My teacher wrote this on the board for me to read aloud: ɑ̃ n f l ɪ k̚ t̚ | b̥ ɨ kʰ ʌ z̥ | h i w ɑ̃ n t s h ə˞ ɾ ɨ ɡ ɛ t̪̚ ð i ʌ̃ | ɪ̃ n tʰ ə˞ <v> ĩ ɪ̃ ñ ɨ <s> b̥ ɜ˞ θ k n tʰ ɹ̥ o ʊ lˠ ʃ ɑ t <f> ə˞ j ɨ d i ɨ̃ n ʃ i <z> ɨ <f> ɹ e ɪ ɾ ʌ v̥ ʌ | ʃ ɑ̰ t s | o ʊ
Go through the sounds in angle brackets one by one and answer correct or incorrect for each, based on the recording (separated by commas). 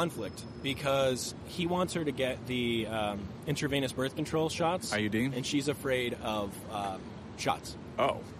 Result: correct, correct, incorrect, correct, correct